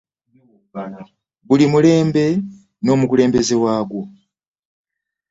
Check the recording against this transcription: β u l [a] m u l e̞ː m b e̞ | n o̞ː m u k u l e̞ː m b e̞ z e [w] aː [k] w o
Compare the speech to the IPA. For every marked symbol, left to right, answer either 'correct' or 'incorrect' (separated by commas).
incorrect, correct, incorrect